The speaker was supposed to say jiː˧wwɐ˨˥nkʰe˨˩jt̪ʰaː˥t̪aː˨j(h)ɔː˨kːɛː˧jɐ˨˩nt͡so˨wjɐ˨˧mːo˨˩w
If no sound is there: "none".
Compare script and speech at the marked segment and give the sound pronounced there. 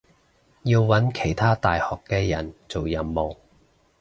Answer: h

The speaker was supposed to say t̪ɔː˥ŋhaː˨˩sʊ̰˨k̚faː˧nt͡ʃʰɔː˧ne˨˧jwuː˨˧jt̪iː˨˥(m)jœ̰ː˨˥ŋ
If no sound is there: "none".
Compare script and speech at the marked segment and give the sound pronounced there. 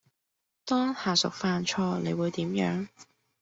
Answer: m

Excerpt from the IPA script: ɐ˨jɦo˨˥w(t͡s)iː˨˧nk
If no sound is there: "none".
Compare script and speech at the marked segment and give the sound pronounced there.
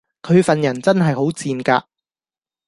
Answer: t͡s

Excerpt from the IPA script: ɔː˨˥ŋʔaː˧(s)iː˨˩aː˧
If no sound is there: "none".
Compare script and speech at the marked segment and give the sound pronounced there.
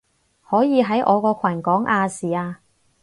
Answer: s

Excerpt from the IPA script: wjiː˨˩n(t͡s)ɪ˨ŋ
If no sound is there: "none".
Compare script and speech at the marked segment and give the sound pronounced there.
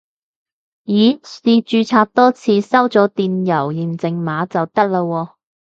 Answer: t͡s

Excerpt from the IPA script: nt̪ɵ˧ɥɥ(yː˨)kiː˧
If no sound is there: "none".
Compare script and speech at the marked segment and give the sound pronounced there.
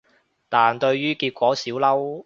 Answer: yː˥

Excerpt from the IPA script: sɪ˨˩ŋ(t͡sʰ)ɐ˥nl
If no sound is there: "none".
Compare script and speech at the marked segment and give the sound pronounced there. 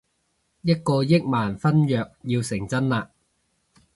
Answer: t͡s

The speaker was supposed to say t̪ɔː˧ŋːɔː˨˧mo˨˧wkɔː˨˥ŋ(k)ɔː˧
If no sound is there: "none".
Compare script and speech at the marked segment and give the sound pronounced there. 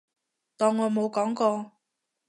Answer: k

